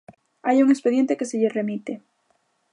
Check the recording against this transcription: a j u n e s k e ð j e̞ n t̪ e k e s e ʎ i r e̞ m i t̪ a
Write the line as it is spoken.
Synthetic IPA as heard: a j u ŋ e s p e ð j e̞ n t̪ e k e s e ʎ e r e̞ m i t̪ e